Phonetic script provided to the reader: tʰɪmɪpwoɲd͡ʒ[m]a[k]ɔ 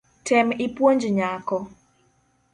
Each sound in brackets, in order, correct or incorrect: incorrect, correct

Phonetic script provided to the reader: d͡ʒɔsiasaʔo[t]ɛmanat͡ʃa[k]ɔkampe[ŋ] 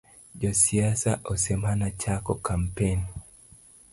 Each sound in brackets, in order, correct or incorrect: incorrect, correct, incorrect

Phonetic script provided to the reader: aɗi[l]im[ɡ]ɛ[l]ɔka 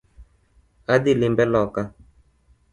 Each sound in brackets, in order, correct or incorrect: correct, incorrect, correct

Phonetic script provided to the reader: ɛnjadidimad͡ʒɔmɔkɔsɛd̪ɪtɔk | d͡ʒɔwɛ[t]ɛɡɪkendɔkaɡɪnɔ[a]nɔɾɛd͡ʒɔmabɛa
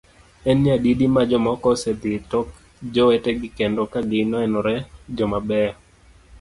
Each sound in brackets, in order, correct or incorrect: correct, incorrect

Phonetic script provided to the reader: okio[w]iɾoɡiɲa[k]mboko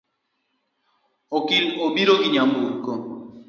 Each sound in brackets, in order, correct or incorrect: incorrect, incorrect

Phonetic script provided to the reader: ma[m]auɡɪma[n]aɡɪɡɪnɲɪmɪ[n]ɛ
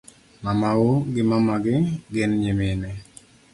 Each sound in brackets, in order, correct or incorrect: correct, incorrect, correct

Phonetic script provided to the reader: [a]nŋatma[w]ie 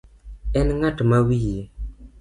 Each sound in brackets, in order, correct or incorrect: incorrect, correct

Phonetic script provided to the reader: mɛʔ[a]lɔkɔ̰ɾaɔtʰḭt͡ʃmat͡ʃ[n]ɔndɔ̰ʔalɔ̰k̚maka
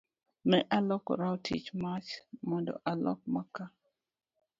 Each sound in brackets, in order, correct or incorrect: correct, incorrect

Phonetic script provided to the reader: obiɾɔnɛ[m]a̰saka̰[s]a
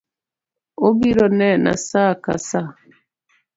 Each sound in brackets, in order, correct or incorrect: incorrect, correct

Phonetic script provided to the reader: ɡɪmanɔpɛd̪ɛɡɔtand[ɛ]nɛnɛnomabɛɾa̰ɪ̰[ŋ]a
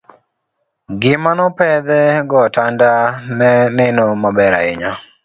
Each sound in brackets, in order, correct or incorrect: incorrect, incorrect

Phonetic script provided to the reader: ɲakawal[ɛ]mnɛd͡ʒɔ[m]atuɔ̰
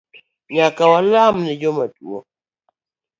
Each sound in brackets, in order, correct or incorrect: incorrect, correct

